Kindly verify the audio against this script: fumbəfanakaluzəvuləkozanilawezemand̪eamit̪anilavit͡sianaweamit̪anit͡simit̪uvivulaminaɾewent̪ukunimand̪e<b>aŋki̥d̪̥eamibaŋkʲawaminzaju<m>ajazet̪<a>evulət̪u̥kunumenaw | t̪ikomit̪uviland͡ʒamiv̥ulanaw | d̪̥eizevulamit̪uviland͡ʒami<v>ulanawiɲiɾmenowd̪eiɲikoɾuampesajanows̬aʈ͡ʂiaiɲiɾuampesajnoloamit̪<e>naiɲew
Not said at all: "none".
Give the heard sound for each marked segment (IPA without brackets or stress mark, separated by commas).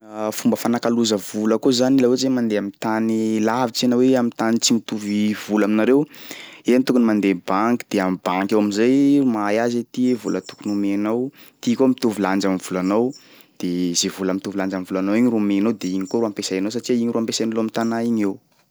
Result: b, m, i, v, a